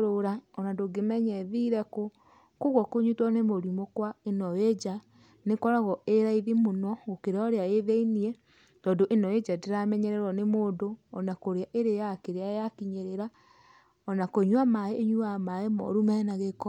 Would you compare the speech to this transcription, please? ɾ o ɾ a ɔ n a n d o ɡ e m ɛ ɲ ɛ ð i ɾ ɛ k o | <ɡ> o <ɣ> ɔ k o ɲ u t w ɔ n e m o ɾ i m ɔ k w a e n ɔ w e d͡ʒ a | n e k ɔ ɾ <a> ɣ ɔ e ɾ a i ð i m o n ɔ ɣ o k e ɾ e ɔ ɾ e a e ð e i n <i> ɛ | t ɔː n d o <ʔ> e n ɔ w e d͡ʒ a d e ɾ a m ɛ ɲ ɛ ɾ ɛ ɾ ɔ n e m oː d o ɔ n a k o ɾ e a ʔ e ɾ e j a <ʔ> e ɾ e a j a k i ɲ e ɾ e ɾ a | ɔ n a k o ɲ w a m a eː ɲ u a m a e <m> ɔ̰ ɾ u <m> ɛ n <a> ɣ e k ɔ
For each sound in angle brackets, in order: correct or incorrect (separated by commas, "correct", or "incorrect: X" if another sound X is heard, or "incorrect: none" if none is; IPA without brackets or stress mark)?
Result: incorrect: k, correct, correct, correct, correct, incorrect: k, correct, correct, correct